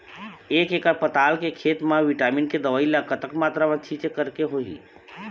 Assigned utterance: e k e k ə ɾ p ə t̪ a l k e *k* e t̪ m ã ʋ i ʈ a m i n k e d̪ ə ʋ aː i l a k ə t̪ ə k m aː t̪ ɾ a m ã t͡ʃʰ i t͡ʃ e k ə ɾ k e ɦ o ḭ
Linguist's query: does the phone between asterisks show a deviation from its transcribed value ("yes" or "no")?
yes